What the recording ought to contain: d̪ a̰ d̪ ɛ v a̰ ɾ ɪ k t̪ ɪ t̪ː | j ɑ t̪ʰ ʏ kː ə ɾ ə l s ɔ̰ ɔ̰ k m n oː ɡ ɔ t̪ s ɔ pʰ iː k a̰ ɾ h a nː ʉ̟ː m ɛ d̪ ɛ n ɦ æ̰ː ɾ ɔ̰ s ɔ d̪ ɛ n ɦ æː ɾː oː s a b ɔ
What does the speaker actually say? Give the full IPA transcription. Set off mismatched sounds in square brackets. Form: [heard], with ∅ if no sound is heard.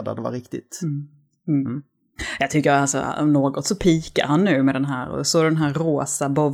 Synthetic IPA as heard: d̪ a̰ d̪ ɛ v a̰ ɾ ɪ k t̪ ɪ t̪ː | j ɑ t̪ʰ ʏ kː ə ɾ [a] l s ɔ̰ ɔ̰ [∅] m n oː ɡ ɔ t̪ s ɔ pʰ iː k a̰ ɾ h a nː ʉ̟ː m ɛ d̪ ɛ n ɦ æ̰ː ɾ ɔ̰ s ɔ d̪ ɛ n ɦ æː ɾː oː s a b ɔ